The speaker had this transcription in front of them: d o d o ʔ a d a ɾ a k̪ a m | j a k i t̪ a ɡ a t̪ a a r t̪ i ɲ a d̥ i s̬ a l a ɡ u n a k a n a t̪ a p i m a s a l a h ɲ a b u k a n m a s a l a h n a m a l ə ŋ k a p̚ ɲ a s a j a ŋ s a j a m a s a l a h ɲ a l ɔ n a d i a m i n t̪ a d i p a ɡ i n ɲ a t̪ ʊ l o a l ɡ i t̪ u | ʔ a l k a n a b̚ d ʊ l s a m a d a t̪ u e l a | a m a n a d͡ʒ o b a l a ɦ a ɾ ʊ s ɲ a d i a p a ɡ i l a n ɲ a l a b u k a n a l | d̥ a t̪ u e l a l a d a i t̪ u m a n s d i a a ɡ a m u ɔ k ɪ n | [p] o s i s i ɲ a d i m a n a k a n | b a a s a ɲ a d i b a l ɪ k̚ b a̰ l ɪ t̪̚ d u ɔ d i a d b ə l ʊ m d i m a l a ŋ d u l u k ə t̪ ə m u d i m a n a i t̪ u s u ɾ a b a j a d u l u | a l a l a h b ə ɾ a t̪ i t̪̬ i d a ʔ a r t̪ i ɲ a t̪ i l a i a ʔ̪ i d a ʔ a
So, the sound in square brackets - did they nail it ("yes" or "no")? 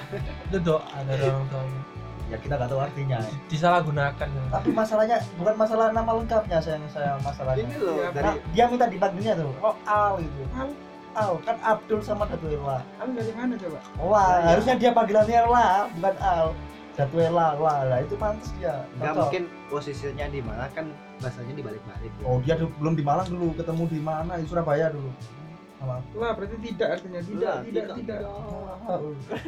yes